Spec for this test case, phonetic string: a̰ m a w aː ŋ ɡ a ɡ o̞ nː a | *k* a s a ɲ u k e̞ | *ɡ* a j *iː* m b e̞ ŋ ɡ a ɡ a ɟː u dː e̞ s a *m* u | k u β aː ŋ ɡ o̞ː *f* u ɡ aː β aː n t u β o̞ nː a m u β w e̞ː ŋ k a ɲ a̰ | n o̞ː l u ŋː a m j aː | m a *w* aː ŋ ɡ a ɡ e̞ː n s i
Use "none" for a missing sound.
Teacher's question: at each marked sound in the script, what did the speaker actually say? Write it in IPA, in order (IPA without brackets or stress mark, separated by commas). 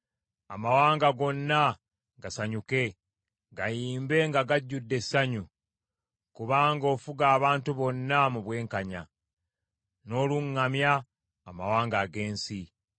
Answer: ɡ, ɡ, iː, ɲ, f, w